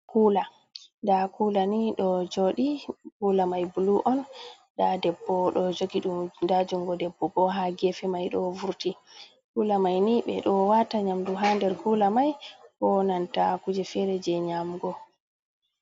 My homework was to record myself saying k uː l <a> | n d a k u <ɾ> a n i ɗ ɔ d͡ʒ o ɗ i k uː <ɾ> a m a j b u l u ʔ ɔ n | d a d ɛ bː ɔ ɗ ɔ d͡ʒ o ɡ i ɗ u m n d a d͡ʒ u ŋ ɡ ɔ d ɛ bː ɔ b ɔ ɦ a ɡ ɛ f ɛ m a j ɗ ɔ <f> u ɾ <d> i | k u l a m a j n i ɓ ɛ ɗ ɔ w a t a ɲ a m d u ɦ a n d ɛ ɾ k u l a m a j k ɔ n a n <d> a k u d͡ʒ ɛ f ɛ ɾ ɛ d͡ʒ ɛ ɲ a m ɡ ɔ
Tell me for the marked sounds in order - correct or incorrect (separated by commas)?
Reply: correct, incorrect, incorrect, incorrect, incorrect, incorrect